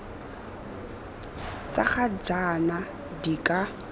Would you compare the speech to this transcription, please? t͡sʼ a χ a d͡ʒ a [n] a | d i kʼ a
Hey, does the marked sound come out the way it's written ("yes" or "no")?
yes